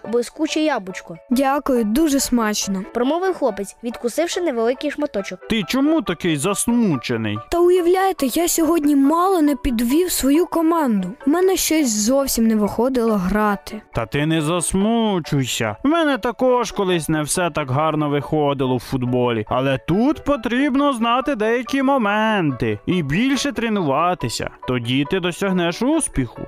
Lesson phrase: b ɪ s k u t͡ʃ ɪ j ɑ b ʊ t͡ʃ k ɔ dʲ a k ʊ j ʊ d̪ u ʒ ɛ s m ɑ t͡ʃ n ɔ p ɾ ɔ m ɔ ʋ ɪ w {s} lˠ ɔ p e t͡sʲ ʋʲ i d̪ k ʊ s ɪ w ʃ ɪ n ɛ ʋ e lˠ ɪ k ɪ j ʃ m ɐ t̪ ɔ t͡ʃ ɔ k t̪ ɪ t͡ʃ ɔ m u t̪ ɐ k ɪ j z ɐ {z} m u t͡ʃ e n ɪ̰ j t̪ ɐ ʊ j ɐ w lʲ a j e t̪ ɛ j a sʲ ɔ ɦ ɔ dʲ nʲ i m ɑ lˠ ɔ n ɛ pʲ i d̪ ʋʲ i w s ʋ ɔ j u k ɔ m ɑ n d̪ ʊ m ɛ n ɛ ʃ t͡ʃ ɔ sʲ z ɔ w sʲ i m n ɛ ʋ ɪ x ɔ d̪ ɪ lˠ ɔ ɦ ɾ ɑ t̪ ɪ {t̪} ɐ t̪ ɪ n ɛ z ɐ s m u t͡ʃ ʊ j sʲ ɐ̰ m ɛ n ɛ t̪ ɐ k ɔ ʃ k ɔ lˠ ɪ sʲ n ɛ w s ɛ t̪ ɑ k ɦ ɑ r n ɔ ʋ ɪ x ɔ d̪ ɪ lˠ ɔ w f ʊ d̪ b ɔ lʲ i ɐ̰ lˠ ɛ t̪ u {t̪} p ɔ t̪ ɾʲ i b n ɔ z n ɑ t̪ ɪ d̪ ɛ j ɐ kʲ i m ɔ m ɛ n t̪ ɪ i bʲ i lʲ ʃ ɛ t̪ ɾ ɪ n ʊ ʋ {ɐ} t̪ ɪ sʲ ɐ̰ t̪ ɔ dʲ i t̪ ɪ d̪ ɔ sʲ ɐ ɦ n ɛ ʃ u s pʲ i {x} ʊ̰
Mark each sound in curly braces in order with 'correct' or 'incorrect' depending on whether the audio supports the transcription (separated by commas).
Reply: incorrect, incorrect, correct, correct, incorrect, correct